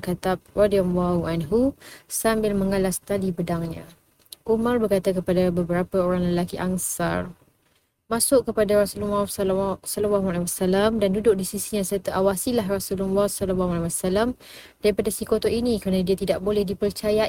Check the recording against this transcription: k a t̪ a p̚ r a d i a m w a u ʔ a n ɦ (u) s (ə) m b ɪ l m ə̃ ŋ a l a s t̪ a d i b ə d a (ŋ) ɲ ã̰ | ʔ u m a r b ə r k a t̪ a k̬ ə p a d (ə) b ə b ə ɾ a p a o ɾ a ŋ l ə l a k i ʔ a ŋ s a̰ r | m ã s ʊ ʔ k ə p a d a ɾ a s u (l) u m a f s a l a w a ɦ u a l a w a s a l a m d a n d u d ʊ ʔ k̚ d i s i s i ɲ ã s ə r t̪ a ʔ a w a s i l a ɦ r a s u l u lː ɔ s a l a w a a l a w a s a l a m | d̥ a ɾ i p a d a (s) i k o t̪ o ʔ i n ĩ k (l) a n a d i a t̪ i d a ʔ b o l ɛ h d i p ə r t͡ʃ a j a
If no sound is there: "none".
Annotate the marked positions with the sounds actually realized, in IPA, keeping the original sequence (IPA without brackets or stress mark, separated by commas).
u, a, ŋ, a, l, s, ɾ